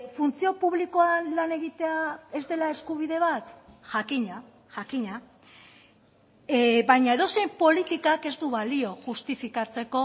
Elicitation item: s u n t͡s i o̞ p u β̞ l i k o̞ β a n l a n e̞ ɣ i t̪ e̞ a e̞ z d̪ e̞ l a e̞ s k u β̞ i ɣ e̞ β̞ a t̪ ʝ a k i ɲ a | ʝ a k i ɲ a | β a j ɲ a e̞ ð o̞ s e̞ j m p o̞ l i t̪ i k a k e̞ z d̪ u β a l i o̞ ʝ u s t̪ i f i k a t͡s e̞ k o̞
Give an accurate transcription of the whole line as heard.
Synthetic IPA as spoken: f u n t͡s i o̞ p u β̞ l i k o̞ a n l a n e̞ ɣ i t̪ e̞ a e̞ z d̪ e̞ l a e̞ s k u β̞ i ð e̞ β̞ a t̪ ʝ a k i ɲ a | ʝ a k i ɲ a | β a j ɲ a e̞ ð o̞ s e̞ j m p o̞ l i t̪ i k a k e̞ z d̪ u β a l i o̞ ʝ u s t̪ i f i k a t͡s e̞ k o̞